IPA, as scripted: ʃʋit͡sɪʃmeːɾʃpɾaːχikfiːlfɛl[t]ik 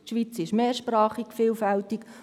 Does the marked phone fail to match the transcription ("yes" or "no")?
no